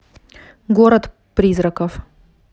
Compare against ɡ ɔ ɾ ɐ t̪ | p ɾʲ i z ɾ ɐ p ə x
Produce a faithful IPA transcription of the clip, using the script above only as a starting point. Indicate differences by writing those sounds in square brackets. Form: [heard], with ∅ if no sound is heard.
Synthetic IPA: ɡ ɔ ɾ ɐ t̪ | p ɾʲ i z ɾ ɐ [k] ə [f]